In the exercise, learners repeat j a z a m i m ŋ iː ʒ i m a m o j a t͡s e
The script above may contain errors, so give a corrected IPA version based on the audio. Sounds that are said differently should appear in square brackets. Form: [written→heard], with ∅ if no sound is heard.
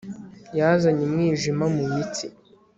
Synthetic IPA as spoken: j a z a [m→ɲ] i m ŋ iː ʒ i m a m [o→u] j [a→i] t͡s [e→i]